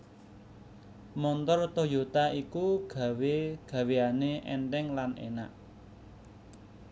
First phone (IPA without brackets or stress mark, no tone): m